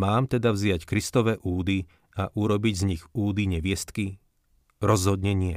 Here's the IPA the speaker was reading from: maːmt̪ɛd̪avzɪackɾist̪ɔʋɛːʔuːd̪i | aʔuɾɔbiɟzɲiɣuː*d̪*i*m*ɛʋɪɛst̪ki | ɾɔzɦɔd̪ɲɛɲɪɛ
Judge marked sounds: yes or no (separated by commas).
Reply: yes, no